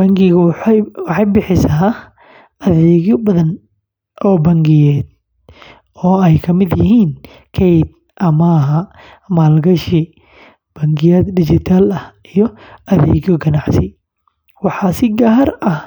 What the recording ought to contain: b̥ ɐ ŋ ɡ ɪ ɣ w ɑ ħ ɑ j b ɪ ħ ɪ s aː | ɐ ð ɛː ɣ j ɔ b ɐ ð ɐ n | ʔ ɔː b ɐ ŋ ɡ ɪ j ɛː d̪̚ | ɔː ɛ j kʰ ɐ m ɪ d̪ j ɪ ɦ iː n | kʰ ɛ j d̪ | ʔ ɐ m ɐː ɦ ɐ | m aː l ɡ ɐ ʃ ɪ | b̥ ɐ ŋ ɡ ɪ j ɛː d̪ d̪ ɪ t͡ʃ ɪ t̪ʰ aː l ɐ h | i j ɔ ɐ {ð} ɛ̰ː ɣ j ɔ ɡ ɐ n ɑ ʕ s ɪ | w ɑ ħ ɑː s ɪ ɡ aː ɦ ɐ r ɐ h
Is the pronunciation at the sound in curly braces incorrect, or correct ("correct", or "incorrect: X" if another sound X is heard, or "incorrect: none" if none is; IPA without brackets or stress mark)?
correct